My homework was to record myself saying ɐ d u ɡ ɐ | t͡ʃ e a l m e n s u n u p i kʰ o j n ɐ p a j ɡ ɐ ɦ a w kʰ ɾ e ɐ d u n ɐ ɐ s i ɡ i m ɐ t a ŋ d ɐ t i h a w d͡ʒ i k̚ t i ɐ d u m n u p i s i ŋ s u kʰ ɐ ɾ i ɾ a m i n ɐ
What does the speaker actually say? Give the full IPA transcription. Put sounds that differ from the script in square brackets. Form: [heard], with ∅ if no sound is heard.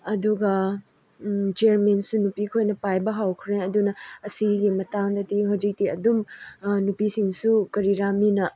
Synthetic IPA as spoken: ɐ d u ɡ ɐ | t͡ʃ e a [ɾ] m e n s u n u p i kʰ o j n ɐ p a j [b] ɐ ɦ a w kʰ ɾ e ɐ d u n ɐ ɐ s i ɡ i m ɐ t a ŋ d ɐ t i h a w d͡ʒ i k̚ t i ɐ d u m n u p i s i ŋ s u [k] ɐ ɾ i ɾ a m i n ɐ

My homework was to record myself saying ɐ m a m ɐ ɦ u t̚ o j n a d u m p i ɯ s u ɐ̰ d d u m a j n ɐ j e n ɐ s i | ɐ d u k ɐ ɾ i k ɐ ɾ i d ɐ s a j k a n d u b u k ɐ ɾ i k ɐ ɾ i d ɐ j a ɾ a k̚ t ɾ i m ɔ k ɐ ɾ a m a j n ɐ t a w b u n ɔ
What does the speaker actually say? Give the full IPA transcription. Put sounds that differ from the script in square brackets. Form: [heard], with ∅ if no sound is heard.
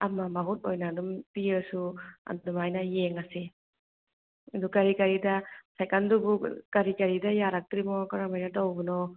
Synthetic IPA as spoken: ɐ m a m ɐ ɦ u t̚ o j n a d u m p i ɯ s u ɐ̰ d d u m a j n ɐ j e [ŋ] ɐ s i | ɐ d u k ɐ ɾ i k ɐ ɾ i d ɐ s a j k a n d u b u k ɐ ɾ i k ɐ ɾ i d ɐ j a ɾ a k̚ t ɾ i m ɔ k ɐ ɾ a m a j n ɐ t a w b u n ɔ

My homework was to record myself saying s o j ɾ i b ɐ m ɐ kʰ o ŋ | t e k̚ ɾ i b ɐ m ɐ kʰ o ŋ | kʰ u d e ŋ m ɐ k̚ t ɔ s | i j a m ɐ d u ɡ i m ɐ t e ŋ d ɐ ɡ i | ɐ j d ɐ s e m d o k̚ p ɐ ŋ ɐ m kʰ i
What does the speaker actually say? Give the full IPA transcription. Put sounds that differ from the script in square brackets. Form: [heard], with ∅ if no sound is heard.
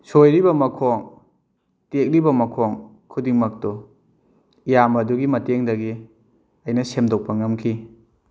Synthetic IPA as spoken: s o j ɾ i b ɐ m ɐ kʰ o ŋ | t e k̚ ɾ i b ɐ m ɐ kʰ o ŋ | kʰ u d [i] ŋ m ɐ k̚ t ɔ [∅] | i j a m ɐ d u ɡ i m ɐ t e ŋ d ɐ ɡ i | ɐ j [n] ɐ s e m d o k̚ p ɐ ŋ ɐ m kʰ i

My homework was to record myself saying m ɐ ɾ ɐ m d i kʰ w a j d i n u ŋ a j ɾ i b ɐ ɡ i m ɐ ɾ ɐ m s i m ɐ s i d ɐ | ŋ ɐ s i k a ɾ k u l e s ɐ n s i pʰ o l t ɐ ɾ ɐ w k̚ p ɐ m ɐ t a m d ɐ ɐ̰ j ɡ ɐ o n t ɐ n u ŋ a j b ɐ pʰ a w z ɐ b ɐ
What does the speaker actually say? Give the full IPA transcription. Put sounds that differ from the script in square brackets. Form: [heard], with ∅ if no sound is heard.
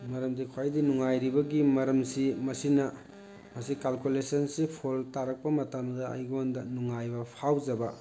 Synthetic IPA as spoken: m ɐ ɾ ɐ m d i kʰ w a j d i n u ŋ a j ɾ i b ɐ ɡ i m ɐ ɾ ɐ m s i m ɐ s i [n] ɐ | [m] ɐ s i k a [l] k u l e s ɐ n s i pʰ o l t [a] ɾ ɐ [∅] k̚ p ɐ m ɐ t a m d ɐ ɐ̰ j ɡ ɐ o n [d] ɐ n u ŋ a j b ɐ pʰ a w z ɐ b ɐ

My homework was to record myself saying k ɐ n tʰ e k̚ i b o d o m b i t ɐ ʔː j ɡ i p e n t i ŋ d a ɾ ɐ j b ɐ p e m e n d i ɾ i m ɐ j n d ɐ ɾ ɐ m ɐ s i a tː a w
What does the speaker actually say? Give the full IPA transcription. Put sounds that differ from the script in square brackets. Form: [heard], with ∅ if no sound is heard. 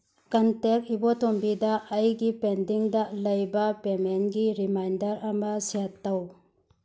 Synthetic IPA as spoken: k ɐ n [t] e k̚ i b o [t] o m b i [d] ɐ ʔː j ɡ i p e n [d] i ŋ d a [l] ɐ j b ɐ p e m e n [ɡ] i ɾ i m [a] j n d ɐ ɾ ɐ m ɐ s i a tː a w

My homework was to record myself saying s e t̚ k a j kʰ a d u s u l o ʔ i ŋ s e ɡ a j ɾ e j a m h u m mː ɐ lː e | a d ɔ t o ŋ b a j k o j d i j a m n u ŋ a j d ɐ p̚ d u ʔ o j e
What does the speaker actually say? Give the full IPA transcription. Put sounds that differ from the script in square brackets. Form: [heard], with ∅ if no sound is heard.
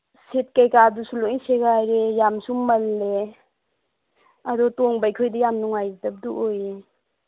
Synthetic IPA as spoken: s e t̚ k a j [k] a d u s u l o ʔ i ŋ s e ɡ a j ɾ e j a m [s] u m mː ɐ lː e | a d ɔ t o ŋ b a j [kʰ] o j d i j a m n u ŋ a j d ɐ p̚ d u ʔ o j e

